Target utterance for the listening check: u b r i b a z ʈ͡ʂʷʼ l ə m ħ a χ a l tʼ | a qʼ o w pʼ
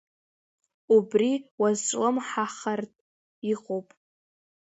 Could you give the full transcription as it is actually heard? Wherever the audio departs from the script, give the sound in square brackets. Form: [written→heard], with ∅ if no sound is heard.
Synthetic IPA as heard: u b r i [b→w] a z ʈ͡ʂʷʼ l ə m ħ a χ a [l→r] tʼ | [a→i] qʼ o w pʼ